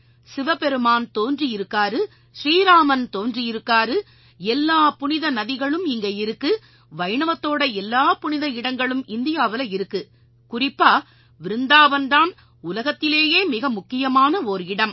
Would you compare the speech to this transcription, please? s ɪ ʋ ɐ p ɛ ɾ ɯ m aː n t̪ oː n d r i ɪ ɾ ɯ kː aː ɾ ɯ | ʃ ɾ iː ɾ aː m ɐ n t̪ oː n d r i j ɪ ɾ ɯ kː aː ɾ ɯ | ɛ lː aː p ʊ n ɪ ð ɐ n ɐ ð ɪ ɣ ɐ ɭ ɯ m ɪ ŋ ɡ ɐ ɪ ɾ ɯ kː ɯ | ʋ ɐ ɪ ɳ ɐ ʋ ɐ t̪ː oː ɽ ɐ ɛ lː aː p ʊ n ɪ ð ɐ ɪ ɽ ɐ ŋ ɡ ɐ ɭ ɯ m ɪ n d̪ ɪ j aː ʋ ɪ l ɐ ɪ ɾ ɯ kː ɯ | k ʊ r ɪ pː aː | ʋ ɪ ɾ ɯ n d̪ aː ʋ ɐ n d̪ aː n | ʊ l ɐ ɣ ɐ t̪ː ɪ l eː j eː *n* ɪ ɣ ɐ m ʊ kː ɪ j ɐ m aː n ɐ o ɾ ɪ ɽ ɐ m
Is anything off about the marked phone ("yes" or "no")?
yes